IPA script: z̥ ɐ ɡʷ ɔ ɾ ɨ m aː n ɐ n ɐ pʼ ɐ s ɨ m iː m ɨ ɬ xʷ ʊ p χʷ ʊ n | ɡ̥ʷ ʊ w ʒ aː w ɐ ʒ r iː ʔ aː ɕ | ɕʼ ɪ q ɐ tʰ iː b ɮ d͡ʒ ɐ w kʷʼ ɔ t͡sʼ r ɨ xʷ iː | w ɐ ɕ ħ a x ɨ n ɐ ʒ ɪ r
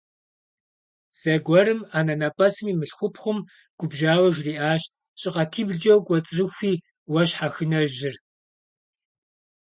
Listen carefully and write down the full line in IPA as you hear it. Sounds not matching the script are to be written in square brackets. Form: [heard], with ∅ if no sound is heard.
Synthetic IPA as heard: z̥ ɐ ɡʷ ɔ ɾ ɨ m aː n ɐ n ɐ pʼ ɐ s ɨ m iː m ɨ ɬ xʷ ʊ p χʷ ʊ [m] | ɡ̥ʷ ʊ [b] ʒ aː w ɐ ʒ r iː ʔ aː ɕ | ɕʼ ɪ q ɐ tʰ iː b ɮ d͡ʒ ɐ w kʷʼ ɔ t͡sʼ r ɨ xʷ iː | w ɐ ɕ ħ a x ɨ n ɐ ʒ ɪ r